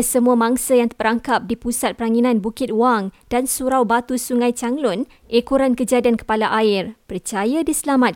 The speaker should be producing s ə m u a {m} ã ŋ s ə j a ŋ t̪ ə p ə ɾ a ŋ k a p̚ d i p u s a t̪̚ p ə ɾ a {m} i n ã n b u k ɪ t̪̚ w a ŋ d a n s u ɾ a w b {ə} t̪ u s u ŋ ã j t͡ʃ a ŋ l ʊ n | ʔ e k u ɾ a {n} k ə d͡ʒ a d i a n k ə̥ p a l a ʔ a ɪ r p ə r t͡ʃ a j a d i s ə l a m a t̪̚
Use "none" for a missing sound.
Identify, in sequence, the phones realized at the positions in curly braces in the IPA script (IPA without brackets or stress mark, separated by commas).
m, ŋ, a, n